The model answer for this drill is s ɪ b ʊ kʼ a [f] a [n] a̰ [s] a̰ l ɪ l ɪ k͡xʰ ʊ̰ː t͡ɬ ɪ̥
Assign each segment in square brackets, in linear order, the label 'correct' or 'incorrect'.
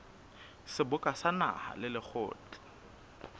incorrect, correct, incorrect

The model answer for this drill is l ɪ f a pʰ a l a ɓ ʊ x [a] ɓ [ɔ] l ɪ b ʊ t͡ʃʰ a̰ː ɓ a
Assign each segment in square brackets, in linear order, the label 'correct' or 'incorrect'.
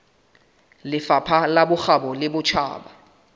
correct, correct

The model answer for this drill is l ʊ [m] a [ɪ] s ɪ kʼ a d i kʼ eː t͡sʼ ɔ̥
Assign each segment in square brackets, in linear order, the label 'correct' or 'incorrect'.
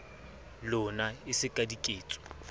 incorrect, correct

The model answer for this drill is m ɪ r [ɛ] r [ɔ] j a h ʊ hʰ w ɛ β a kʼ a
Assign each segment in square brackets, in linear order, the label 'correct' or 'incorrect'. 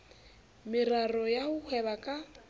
incorrect, correct

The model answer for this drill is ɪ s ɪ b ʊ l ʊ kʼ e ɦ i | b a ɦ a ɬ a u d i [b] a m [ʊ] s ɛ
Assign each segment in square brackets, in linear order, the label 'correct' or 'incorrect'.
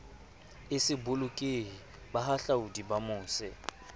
correct, incorrect

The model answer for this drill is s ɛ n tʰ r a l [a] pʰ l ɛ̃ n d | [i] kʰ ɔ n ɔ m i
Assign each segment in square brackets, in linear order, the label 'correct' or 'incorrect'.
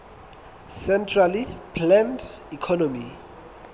incorrect, correct

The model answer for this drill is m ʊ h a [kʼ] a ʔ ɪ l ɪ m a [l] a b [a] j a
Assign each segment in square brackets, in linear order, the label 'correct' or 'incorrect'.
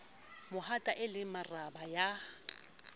incorrect, incorrect, correct

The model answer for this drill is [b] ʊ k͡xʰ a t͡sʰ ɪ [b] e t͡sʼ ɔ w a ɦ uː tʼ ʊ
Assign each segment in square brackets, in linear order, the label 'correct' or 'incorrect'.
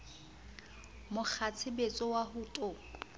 incorrect, correct

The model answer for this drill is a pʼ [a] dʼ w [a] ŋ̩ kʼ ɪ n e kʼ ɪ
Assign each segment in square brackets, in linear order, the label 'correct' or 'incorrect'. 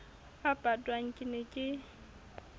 correct, correct

